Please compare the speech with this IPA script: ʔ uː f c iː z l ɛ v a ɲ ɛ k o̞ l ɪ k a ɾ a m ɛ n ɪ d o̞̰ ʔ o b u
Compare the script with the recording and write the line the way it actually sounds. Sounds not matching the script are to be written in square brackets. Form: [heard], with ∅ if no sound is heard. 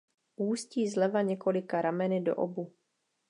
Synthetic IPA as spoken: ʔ uː [s] c iː z l ɛ v a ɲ ɛ k o̞ l ɪ k a ɾ a m ɛ n ɪ d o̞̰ ʔ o b u

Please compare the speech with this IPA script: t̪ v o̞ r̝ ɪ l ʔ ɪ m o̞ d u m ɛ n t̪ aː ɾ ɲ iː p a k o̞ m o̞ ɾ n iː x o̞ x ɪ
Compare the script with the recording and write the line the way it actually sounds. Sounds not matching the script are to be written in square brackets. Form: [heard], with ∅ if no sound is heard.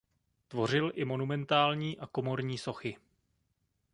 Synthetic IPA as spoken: t̪ v o̞ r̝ ɪ l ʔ ɪ m o̞ [n] u m ɛ n t̪ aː [l] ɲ iː [ʔ] a k o̞ m o̞ ɾ [ɲ] iː [s] o̞ x ɪ

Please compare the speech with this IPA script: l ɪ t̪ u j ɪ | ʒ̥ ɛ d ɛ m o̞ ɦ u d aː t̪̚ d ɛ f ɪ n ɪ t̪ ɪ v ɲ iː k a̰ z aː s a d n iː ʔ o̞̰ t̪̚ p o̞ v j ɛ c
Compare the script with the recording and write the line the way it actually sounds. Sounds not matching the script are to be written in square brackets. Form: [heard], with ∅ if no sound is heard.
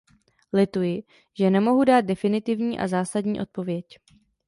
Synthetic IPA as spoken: l ɪ t̪ u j ɪ | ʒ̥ ɛ [n] ɛ m o̞ ɦ u d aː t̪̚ d ɛ f ɪ n ɪ t̪ ɪ v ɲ iː [ʔ] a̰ z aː s a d [ɲ] iː ʔ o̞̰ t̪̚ p o̞ v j ɛ c

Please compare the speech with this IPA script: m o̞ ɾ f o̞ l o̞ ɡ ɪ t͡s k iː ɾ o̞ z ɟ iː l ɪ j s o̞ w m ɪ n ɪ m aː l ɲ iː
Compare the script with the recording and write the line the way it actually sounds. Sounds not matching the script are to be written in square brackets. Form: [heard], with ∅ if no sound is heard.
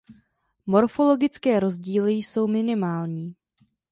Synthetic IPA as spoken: m o̞ ɾ f o̞ l o̞ ɡ ɪ t͡s k [ɛː] ɾ o̞ z ɟ iː l ɪ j s o̞ w m ɪ n ɪ m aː l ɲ iː

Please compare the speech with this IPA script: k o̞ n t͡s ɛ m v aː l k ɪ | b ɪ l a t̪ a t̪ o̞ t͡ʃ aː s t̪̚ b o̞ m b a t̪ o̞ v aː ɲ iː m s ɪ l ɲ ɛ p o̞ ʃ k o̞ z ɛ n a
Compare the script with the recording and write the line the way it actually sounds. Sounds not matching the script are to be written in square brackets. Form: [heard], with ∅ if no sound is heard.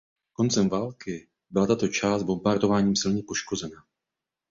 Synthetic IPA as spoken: k o̞ n t͡s ɛ m v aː l k ɪ | b ɪ l a t̪ a t̪ o̞ t͡ʃ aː s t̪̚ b o̞ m b a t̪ o̞ v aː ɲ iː m s ɪ l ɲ ɛ p o̞ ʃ k o̞ z ɛ n a

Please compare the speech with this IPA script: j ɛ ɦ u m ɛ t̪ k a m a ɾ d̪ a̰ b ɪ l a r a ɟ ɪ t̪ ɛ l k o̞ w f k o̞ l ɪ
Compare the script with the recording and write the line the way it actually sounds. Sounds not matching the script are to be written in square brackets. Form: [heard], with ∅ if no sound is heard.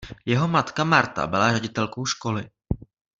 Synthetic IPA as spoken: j ɛ ɦ [o] m [a] t̪ k a m a ɾ [t̪] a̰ b ɪ l a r [ɛ] ɟ ɪ t̪ ɛ l k o̞ w [ʃ] k o̞ l ɪ

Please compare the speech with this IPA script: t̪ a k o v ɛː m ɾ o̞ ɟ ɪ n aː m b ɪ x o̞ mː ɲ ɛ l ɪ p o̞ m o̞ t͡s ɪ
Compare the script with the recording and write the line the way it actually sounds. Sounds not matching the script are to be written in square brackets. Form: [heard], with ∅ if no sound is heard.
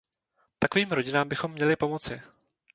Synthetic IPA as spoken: t̪ a k o v [iː] m ɾ o̞ ɟ ɪ n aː m b ɪ x o̞ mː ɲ ɛ l ɪ p o̞ m o̞ t͡s ɪ

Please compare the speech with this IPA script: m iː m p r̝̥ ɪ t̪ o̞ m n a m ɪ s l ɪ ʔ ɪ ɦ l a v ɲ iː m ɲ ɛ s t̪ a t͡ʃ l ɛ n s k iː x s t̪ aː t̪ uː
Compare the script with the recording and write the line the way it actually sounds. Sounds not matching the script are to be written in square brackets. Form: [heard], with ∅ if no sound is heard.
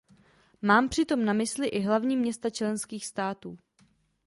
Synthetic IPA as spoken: m [aː] m p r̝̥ ɪ t̪ o̞ m n a m ɪ s l ɪ ʔ ɪ ɦ l a v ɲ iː m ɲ ɛ s t̪ a t͡ʃ l ɛ n s k iː x s t̪ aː t̪ uː

